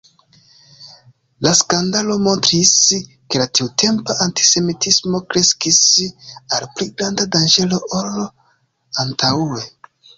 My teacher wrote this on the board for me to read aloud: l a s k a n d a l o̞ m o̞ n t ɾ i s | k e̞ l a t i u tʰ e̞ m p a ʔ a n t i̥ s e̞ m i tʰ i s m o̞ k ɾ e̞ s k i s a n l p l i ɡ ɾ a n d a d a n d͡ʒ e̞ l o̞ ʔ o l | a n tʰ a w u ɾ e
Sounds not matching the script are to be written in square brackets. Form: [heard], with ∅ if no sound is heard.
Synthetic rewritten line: l a s k a n d a l o̞ m o̞ n t ɾ i s | k e̞ l a t i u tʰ e̞ m p a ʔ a n t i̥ s e̞ m i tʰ i s m o̞ k ɾ e̞ s k i s a [∅] l p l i ɡ ɾ a n d a d a n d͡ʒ e̞ l o̞ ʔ o l | a n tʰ a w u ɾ e